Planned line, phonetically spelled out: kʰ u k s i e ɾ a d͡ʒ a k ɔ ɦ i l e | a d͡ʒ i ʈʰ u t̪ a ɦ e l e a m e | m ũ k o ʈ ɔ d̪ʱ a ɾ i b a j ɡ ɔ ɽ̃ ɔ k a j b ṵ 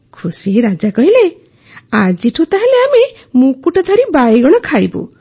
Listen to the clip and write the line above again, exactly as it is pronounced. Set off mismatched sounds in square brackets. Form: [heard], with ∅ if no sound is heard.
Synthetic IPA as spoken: kʰ u [∅] s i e ɾ a d͡ʒ a k ɔ ɦ i l e | a d͡ʒ i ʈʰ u t̪ a ɦ e l e a m e | m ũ k [u] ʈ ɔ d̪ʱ a ɾ i b a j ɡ ɔ ɽ̃ ɔ [kʰ] a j b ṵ